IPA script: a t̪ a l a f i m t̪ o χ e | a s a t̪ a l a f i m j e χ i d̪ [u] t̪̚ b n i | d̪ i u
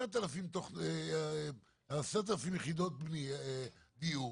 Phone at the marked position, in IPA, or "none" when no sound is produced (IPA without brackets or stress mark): o